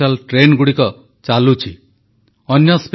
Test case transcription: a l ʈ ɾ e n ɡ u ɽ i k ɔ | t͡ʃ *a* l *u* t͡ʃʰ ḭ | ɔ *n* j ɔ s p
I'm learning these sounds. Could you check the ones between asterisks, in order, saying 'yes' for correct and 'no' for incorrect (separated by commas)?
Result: yes, yes, yes